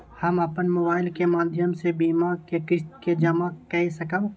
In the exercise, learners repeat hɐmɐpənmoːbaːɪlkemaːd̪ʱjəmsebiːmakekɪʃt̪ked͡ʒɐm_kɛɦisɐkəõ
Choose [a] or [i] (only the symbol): a